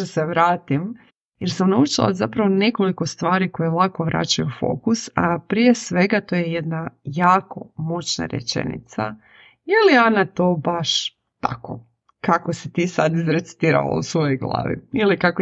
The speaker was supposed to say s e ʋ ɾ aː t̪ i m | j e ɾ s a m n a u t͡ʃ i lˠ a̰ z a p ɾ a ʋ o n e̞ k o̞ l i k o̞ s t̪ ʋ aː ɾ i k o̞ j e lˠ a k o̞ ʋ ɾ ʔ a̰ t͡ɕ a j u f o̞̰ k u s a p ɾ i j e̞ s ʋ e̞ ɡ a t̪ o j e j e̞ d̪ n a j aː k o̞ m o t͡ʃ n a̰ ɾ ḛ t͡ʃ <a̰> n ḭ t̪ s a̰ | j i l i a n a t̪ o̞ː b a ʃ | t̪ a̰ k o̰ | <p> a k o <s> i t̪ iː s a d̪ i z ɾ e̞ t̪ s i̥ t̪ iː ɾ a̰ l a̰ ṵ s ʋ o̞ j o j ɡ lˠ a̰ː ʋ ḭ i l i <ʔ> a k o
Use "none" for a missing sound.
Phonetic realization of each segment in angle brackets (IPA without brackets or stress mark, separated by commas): ḛ, k, s, k